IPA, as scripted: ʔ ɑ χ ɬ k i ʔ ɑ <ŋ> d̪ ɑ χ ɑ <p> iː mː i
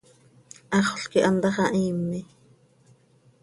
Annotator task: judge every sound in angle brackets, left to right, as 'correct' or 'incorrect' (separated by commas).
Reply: incorrect, incorrect